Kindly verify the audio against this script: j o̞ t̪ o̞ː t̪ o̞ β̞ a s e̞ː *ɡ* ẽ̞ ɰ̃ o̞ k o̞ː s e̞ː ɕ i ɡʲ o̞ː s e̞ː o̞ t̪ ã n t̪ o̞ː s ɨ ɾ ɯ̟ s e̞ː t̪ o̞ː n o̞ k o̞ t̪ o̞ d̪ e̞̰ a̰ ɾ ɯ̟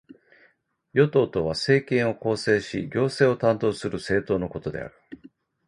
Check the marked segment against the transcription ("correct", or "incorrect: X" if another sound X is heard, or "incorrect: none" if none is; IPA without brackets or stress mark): incorrect: k